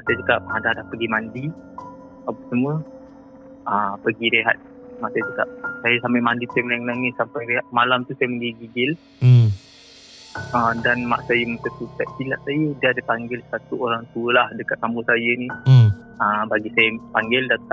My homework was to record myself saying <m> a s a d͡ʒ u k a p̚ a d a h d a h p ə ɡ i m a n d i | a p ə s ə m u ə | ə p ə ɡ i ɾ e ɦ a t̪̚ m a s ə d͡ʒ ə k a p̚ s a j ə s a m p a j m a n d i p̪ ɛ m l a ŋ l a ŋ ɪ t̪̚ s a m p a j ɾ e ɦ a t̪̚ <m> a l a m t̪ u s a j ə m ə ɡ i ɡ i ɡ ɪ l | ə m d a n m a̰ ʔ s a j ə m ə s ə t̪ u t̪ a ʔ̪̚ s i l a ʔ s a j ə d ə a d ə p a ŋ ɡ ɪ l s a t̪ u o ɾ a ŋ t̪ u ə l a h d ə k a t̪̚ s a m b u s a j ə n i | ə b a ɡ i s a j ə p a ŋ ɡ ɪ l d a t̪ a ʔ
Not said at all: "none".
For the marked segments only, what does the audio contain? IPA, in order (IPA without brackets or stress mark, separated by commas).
m, m